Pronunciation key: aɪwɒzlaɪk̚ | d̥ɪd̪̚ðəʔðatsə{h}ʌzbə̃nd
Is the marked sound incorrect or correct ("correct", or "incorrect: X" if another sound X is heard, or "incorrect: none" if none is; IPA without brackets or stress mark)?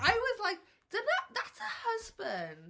correct